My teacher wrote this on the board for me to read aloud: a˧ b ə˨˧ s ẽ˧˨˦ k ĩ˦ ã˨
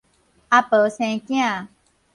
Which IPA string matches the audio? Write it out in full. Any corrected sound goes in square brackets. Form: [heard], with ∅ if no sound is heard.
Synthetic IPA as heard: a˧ [p] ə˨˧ s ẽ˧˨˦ k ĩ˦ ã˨